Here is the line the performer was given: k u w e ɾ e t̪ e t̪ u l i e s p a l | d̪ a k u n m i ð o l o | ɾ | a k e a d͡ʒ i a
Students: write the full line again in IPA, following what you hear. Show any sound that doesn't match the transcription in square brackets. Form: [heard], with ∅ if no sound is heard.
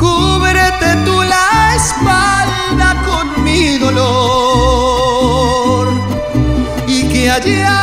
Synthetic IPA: k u [β] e ɾ e t̪ e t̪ u l [a] e s p a l | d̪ a k [o] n m i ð o l o | ɾ | [i] k e a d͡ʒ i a